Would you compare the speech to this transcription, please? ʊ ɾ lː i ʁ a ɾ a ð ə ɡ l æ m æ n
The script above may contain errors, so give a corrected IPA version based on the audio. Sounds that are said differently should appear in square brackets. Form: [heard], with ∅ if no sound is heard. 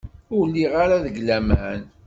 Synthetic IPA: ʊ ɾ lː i ʁ a ɾ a ð ə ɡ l æ m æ n